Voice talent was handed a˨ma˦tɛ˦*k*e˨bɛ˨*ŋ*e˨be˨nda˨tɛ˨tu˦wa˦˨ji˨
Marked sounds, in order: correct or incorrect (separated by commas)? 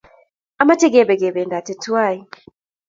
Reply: incorrect, incorrect